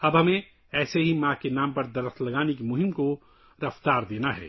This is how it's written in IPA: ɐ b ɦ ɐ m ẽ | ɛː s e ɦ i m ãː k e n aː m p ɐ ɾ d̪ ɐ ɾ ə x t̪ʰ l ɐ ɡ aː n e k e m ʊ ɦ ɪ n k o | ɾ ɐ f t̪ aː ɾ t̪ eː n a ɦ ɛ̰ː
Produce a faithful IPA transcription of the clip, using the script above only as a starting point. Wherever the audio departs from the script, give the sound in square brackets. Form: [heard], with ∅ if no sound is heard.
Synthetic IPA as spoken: ɐ b ɦ ɐ m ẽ | ɛː s e ɦ i m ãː k e n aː m p ɐ ɾ d̪ ɐ ɾ ə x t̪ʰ l ɐ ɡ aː n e k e m ʊ ɦ ɪ [m] k o | ɾ ɐ f t̪ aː ɾ [d̪] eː n a ɦ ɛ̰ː

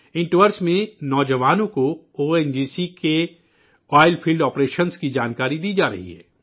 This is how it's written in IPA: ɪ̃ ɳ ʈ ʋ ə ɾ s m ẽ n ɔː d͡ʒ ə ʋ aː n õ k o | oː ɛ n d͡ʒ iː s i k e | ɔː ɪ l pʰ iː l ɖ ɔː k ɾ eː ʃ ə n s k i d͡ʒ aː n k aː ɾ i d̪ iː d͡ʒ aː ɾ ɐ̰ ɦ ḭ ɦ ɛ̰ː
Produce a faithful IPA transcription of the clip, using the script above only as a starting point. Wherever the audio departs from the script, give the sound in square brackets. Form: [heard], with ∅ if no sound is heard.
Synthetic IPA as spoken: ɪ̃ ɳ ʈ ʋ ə ɾ s m ẽ n ɔː d͡ʒ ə ʋ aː n õ k o | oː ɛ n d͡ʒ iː s i k e | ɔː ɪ l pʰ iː l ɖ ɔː [p] ɾ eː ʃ ə n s k i d͡ʒ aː n k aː ɾ i d̪ iː d͡ʒ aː ɾ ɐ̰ ɦ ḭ ɦ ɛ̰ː

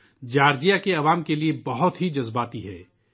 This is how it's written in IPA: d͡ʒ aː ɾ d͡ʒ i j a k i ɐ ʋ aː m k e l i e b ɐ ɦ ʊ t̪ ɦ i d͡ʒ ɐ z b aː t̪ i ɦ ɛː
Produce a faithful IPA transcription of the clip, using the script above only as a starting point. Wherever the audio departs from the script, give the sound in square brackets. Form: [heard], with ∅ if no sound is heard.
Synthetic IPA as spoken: d͡ʒ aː ɾ d͡ʒ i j a k [e] ɐ ʋ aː m k e l i e b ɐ ɦ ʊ t̪ ɦ i d͡ʒ ɐ z b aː t̪ i ɦ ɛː

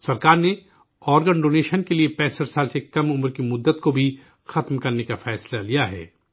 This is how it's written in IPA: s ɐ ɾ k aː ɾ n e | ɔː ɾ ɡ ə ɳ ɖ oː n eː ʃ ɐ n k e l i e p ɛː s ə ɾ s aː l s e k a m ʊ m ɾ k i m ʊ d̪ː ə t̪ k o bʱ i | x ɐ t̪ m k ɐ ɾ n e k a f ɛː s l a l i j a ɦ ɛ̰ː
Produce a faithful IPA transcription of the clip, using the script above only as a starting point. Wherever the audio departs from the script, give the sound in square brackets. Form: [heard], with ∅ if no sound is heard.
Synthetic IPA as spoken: s ɐ ɾ k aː ɾ n e | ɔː ɾ ɡ ə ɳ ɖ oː n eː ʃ [ə] n k e l i e p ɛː s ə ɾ s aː l s e k [ɐ] m ʊ m ɾ k i m ʊ d̪ː ə t̪ k o bʱ i | x ɐ t̪ m k ɐ ɾ n e k a f ɛː s l a l i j a ɦ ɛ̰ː

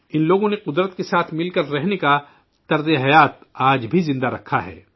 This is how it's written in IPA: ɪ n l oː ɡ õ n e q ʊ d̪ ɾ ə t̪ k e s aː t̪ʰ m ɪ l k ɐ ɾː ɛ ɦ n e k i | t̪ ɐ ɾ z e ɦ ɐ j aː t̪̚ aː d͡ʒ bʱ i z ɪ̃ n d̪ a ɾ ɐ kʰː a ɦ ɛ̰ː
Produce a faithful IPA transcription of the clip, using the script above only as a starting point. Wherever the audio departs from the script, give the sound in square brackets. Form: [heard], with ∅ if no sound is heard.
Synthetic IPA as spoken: ɪ n l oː ɡ õ n e q ʊ d̪ ɾ ə t̪ k e s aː t̪ʰ m ɪ l k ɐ ɾː ɛ ɦ n e k [a] | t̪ ɐ ɾ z e ɦ ɐ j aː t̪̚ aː d͡ʒ bʱ i z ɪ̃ n d̪ a ɾ ɐ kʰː a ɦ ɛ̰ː

